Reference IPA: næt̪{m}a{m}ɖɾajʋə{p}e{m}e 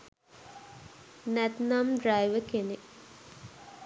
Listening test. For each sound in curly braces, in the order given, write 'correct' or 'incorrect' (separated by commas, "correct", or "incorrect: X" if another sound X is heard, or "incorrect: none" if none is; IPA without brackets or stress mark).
incorrect: n, correct, incorrect: k, incorrect: n